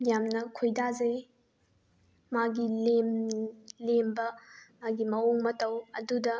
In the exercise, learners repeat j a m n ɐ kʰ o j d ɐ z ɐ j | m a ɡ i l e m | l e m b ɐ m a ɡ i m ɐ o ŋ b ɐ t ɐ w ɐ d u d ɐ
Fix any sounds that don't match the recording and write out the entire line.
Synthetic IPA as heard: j a m n ɐ kʰ o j d a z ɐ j | m a ɡ i l e m | l e m b ɐ m a ɡ i m ɐ o ŋ m ɐ t ɐ w ɐ d u d ɐ